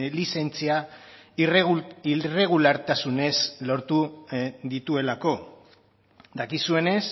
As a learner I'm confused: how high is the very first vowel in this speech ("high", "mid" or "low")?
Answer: high